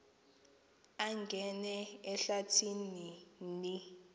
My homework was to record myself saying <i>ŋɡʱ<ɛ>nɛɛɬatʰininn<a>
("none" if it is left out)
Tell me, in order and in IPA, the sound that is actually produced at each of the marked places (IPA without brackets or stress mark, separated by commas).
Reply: a, ɛ, i